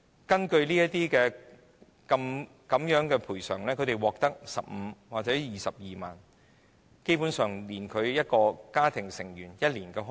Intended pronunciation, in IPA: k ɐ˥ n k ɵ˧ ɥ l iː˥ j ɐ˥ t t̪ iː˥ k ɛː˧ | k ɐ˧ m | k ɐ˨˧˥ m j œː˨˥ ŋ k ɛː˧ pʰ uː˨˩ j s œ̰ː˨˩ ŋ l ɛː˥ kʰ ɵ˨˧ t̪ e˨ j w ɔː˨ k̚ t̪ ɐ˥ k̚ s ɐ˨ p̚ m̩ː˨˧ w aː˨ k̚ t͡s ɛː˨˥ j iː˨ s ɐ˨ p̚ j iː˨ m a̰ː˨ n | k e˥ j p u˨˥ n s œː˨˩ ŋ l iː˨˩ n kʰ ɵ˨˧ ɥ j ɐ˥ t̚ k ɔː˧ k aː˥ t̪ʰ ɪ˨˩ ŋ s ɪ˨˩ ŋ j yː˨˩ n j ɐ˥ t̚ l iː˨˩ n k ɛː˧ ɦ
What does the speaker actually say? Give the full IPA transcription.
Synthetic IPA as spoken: k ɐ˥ n k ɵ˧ ɥ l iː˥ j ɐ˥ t t̪ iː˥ k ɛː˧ | k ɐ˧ m | k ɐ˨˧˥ m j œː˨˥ ŋ k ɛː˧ pʰ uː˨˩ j s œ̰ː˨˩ ŋ l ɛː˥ kʰ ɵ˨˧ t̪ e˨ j w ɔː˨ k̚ t̪ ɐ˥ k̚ s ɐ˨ p̚ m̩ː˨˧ w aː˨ k̚ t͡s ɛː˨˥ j iː˨ s ɐ˨ p̚ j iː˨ m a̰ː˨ n | k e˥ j p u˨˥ n s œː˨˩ ŋ l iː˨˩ n kʰ ɵ˨˧ ɥ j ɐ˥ t̚ k ɔː˧ k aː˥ t̪ʰ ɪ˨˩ ŋ s ɪ˨˩ ŋ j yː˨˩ n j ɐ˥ t̚ l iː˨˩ n k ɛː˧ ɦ